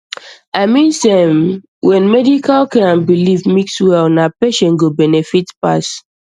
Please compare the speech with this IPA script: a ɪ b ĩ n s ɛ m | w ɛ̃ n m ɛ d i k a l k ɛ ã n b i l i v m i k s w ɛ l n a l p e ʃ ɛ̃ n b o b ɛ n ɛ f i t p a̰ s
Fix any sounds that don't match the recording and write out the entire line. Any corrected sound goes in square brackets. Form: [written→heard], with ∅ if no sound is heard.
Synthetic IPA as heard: a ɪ [b→m] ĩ n s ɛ m | w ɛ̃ n m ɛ d i k a l k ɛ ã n b i l i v m i k s w ɛ l n a [l→∅] p e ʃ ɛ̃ n [b→ɡ] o b ɛ n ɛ f i t p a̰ s